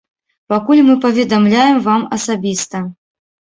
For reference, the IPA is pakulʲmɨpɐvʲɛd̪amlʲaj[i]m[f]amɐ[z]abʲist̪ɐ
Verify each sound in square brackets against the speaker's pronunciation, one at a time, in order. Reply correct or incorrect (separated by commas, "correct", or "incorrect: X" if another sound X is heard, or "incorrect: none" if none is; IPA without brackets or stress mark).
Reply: incorrect: ɛ, incorrect: v, incorrect: s